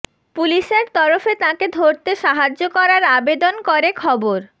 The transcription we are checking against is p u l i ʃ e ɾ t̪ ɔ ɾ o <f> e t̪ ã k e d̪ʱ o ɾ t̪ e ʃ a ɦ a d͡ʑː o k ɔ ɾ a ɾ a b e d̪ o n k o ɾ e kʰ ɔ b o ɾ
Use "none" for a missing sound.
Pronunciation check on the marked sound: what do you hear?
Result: f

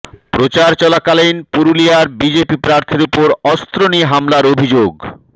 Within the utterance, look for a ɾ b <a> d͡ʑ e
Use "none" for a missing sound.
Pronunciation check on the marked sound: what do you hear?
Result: i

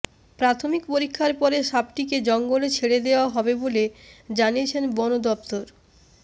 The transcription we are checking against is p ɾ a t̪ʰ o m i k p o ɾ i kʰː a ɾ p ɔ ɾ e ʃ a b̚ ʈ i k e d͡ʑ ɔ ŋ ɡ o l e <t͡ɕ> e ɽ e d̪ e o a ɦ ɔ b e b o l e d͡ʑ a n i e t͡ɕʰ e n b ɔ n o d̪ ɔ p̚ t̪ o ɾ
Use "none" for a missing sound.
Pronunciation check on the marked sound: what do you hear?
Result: t͡ɕʰ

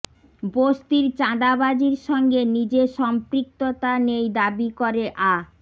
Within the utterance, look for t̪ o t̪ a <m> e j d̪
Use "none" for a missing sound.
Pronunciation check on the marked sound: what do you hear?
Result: n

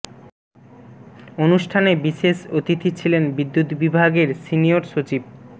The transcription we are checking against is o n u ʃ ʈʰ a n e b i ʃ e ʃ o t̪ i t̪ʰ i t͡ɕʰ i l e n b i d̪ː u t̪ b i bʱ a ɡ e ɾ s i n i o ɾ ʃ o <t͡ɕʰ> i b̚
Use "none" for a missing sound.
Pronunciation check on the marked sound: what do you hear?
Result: t͡ɕ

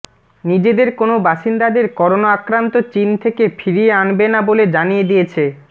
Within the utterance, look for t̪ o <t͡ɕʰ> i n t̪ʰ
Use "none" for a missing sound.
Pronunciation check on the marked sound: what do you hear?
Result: t͡ɕ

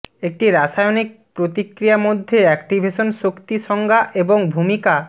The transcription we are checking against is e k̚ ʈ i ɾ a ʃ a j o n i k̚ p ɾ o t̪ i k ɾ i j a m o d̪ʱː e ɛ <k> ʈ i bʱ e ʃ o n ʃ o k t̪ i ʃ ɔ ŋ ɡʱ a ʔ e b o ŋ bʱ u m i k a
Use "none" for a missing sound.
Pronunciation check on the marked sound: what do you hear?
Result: k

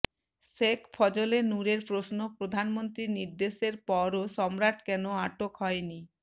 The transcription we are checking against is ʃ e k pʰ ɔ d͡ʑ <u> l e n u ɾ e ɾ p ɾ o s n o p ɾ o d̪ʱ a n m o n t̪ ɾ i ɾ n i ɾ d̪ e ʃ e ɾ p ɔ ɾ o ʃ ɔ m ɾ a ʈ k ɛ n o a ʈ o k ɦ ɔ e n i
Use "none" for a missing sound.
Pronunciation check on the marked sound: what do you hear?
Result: o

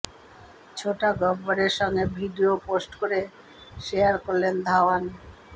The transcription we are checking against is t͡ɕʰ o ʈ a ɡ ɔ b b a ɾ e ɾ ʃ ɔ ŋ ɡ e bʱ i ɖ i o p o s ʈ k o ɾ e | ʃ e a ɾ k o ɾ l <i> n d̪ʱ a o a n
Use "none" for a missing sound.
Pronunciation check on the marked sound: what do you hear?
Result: e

